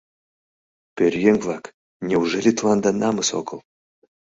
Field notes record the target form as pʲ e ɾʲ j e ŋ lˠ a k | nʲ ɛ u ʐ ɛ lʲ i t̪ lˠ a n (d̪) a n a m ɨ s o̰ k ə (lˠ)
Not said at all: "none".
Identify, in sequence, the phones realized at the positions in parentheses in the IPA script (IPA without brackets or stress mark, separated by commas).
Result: d̪, lˠ